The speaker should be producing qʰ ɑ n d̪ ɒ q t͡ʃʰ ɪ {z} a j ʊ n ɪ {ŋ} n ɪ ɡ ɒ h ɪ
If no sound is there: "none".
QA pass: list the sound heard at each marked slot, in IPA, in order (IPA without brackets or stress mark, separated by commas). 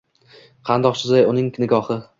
z, ŋ